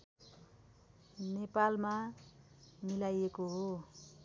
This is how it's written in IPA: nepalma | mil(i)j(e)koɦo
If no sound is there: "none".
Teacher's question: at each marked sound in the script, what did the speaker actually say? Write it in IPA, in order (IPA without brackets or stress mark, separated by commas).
a, e